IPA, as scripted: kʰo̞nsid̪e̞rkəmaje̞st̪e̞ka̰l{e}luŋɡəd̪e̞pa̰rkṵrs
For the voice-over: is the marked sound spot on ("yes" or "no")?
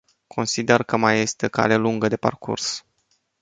yes